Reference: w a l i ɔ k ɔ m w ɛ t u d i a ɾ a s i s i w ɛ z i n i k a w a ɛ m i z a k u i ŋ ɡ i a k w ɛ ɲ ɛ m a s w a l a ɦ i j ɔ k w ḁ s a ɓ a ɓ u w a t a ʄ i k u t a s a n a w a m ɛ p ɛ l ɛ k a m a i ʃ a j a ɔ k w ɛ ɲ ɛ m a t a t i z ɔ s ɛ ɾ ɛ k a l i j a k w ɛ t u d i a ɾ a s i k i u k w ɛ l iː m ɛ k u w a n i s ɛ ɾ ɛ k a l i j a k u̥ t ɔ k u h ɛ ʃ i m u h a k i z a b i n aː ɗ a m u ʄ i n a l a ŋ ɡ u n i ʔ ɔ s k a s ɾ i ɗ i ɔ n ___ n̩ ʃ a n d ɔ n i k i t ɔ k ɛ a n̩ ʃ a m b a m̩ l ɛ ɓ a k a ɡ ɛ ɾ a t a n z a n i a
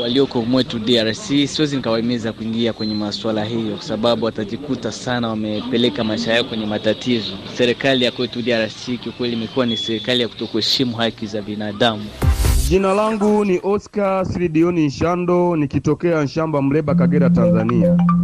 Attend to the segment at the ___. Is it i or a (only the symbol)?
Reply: i